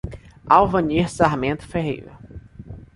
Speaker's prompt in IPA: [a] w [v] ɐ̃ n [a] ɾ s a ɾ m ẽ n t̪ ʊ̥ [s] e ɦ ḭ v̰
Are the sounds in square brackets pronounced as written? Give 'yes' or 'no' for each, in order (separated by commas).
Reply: yes, yes, no, no